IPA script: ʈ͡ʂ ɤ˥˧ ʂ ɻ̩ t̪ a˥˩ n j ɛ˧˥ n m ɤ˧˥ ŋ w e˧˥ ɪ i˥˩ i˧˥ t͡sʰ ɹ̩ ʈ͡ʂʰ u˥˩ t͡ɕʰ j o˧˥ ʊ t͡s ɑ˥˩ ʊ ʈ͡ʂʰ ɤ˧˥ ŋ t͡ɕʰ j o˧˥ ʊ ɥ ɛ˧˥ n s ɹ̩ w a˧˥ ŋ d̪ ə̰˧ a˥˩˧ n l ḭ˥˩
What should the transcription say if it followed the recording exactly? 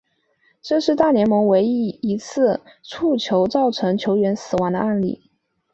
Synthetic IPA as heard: ʈ͡ʂ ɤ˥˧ ʂ ɻ̩ t̪ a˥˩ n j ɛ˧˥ n m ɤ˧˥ ŋ w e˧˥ ɪ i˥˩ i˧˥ t͡sʰ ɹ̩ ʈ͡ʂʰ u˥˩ t͡ɕʰ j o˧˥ ʊ t͡s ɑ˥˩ ʊ ʈ͡ʂʰ ɤ˧˥ ŋ t͡ɕʰ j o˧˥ ʊ ɥ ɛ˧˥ n s ɹ̩ w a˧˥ ŋ d̪ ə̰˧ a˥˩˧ n l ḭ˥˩